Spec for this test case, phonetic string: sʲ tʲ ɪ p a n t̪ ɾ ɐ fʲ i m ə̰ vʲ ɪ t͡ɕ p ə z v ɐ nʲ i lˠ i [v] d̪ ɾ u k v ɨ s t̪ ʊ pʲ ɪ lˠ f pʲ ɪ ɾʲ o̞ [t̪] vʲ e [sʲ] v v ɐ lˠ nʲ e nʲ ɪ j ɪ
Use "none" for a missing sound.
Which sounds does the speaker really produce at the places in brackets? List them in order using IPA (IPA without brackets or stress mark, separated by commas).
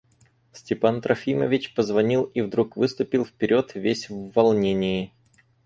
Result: v, t̪, sʲ